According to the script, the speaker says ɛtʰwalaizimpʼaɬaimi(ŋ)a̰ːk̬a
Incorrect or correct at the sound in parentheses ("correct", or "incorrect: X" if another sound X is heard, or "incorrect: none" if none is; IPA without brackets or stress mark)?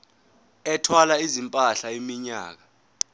incorrect: ɲ